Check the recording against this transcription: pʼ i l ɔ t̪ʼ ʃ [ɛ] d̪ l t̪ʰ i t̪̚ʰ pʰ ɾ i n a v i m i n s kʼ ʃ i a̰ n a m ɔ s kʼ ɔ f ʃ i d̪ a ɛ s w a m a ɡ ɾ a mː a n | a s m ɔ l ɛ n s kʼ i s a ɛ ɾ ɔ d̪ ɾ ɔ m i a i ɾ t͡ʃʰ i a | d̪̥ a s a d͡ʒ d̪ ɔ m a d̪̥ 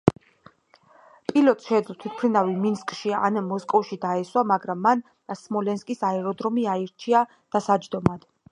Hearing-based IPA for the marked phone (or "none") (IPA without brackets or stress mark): ɛ